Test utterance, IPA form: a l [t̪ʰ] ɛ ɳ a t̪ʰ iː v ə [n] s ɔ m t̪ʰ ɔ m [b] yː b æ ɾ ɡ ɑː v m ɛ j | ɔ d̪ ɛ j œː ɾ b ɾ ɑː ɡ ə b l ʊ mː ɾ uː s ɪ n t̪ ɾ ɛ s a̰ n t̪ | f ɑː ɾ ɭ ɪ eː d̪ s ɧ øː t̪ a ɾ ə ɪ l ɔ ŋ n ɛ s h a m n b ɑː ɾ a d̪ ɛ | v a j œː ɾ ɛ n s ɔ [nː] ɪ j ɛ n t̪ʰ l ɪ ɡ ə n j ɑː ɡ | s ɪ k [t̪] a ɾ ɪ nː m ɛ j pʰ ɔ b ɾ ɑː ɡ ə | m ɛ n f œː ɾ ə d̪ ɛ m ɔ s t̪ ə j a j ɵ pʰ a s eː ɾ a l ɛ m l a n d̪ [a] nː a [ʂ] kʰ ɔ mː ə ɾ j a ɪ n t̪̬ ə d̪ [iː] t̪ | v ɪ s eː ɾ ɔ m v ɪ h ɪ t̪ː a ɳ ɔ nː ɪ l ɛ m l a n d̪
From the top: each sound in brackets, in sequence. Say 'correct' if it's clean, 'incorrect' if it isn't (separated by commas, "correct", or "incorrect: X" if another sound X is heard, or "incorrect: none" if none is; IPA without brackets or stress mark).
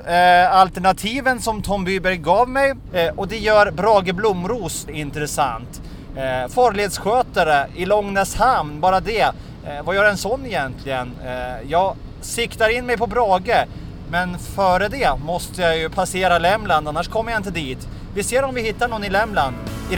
incorrect: t̪, correct, correct, correct, correct, correct, correct, correct